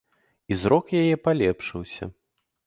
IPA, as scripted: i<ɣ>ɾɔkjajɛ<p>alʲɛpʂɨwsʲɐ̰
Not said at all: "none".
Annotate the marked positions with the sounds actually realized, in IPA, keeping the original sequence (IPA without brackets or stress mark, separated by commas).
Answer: z, p